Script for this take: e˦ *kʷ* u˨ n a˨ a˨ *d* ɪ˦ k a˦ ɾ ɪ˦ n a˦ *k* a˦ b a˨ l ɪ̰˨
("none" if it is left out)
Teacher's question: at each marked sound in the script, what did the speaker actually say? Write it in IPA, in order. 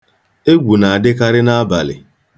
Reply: ɡʷ, d, none

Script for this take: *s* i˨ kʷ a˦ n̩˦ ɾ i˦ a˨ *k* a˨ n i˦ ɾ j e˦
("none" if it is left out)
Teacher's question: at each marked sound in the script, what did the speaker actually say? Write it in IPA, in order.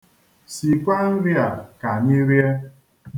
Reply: s, k

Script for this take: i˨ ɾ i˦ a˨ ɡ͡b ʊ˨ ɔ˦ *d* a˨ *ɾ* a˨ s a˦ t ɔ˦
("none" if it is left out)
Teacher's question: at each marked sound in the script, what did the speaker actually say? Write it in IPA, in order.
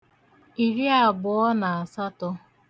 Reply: n, none

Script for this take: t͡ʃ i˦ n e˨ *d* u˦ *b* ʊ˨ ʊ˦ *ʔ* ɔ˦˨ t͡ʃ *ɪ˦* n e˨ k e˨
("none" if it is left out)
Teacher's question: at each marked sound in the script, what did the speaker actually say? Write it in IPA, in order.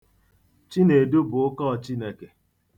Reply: d, b, k, i˦

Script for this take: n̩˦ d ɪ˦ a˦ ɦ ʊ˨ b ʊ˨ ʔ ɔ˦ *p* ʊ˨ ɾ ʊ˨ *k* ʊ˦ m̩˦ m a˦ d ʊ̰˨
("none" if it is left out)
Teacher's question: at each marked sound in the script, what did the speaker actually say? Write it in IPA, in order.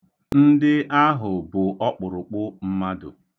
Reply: k͡p, k͡p

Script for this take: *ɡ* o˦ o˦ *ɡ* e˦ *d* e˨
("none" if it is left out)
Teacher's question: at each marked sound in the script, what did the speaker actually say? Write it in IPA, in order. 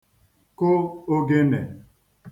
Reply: k, ɡ, n

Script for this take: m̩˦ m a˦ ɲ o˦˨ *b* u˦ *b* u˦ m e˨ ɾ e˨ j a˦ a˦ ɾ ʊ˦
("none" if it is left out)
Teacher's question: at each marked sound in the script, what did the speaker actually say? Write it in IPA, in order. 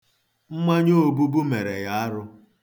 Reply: b, b

